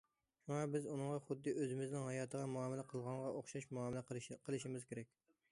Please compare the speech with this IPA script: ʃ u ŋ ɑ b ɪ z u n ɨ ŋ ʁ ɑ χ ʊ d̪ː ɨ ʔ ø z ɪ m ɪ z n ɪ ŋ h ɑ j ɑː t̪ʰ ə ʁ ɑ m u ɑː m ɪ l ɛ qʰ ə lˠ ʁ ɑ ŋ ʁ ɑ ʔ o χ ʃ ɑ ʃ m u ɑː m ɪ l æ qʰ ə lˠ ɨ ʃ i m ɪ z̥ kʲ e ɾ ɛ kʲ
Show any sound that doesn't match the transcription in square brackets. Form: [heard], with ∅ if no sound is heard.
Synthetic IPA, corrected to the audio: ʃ u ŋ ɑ b ɪ z u n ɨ ŋ ʁ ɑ χ ʊ d̪ː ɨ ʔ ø z ɪ m ɪ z n ɪ ŋ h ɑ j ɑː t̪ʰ ə ʁ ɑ m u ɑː m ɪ l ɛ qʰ ə lˠ ʁ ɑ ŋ ʁ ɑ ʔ o χ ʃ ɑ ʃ m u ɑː m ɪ l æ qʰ ə lˠ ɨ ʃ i m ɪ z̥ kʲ e ɾ ɛ kʲ

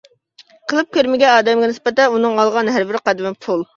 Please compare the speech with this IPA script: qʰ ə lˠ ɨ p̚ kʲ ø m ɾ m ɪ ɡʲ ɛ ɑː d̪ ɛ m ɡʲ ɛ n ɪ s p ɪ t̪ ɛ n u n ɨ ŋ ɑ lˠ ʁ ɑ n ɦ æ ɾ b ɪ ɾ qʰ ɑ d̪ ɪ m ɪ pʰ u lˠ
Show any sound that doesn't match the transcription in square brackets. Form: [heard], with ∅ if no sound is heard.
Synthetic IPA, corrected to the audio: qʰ ə lˠ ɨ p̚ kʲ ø [∅] ɾ m ɪ ɡʲ ɛ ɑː d̪ ɛ m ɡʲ ɛ n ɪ s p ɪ t̪ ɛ n u n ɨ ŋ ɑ lˠ ʁ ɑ n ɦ æ ɾ b ɪ ɾ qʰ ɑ d̪ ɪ m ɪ pʰ u lˠ

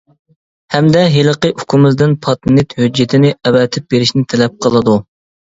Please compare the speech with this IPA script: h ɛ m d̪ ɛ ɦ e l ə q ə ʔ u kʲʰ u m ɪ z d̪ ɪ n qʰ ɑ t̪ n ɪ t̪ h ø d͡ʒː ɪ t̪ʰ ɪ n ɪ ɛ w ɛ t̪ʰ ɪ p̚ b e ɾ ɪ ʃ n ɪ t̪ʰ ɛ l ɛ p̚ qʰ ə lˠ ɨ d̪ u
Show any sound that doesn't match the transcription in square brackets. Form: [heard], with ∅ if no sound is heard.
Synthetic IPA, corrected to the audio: h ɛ m d̪ ɛ ɦ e l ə q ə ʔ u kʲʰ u m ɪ z d̪ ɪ n [pʰ] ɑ t̪ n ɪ t̪ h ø d͡ʒː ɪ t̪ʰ ɪ n ɪ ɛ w ɛ t̪ʰ ɪ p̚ b e ɾ ɪ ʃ n ɪ t̪ʰ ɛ l ɛ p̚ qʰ ə lˠ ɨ d̪ u

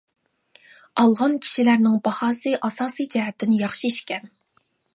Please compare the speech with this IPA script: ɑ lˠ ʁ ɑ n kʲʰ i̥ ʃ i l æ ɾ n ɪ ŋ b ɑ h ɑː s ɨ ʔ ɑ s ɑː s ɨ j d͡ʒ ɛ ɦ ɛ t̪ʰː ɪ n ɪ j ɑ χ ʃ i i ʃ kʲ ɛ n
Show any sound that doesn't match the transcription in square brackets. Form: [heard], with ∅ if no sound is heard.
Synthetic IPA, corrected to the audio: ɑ lˠ ʁ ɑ n kʲʰ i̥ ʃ i l æ ɾ n ɪ ŋ b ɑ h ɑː s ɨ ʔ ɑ s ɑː s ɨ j d͡ʒ ɛ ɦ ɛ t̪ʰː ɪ n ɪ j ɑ χ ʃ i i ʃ kʲ ɛ n

